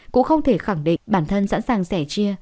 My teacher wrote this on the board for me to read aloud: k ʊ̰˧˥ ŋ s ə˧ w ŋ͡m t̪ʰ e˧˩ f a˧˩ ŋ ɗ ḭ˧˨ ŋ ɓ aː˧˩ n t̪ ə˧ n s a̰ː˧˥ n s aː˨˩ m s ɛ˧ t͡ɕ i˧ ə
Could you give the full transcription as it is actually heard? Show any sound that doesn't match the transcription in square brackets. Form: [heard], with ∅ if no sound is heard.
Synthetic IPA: k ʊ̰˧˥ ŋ [x] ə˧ w ŋ͡m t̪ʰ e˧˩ [x] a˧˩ ŋ ɗ ḭ˧˨ ŋ ɓ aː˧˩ n [t̪ʰ] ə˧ n s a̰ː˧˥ n s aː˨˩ [ŋ] s [ɛ˧˩] t͡ɕ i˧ ə